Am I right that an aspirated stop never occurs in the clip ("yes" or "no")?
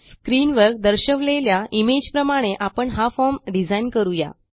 yes